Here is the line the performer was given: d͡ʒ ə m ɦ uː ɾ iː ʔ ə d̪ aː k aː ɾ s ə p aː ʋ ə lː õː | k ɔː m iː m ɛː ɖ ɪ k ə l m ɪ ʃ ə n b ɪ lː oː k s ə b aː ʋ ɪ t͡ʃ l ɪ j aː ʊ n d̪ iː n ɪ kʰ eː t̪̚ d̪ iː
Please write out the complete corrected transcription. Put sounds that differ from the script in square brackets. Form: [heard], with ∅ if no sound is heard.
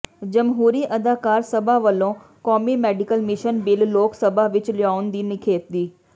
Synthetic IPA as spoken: d͡ʒ ə m ɦ uː ɾ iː ʔ ə d̪ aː k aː ɾ s ə [b] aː ʋ ə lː õː | k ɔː m iː m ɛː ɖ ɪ k ə l m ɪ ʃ ə n b ɪ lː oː k s ə b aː ʋ ɪ t͡ʃ l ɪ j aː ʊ n d̪ iː n ɪ kʰ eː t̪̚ d̪ iː